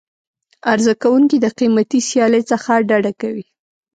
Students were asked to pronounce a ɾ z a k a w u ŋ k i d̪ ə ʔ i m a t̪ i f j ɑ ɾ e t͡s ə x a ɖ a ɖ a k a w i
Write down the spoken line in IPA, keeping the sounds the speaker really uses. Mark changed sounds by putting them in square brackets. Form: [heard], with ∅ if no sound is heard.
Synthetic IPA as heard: a ɾ z a k a w u ŋ k i d̪ ə [q] i m a t̪ i [s] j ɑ [l] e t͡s ə x a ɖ a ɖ a k a w i